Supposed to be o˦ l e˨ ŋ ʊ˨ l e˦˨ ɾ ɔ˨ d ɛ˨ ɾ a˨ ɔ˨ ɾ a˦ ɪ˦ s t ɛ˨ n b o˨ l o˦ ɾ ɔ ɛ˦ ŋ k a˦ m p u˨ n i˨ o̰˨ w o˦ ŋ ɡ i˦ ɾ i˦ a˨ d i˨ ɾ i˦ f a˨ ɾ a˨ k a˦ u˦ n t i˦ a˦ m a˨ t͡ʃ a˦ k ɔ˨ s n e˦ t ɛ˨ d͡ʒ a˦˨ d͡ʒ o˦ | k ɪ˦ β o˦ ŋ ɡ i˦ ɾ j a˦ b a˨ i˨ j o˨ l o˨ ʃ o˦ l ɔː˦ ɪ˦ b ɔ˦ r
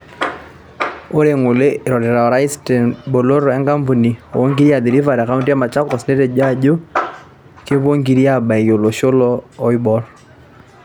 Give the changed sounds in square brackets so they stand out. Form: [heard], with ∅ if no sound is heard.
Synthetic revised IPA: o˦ [ɾ] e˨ ŋ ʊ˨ l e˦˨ ɾ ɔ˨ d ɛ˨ ɾ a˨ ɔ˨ ɾ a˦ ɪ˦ s t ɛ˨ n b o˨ l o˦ ɾ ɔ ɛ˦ ŋ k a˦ m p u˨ n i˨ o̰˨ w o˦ ŋ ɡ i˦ ɾ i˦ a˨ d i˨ ɾ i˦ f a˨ ɾ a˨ k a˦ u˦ n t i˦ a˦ m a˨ t͡ʃ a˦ k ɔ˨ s n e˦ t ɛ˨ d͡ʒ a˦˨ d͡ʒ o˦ | k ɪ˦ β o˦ ŋ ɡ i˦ ɾ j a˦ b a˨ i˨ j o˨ l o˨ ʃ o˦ l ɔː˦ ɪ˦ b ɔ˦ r